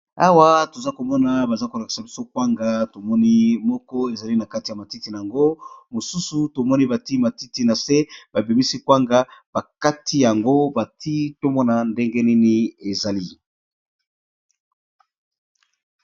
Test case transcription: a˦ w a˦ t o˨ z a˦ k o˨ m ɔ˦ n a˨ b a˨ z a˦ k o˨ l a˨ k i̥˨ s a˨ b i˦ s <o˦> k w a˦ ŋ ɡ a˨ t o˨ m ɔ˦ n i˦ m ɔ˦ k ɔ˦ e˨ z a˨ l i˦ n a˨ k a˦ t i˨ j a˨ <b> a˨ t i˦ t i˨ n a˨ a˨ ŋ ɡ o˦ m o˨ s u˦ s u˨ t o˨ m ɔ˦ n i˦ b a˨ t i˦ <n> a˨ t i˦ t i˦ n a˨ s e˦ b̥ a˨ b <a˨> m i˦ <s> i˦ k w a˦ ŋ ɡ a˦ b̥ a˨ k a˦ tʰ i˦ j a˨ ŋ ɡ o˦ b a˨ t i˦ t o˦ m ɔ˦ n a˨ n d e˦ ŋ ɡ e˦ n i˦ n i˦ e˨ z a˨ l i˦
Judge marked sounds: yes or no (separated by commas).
yes, no, no, no, yes